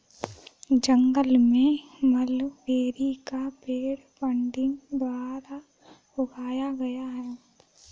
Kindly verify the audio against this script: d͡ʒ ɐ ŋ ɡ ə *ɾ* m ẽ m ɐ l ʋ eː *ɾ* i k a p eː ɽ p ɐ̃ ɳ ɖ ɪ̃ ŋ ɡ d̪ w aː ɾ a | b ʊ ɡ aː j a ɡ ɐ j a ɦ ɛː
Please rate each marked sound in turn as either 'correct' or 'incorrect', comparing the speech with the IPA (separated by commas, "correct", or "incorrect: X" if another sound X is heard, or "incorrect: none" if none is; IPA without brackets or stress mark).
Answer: incorrect: l, correct